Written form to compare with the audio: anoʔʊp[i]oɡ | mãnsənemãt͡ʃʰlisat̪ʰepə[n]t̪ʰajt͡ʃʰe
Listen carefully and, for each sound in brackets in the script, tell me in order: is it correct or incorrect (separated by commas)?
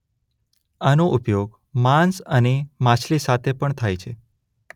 incorrect, incorrect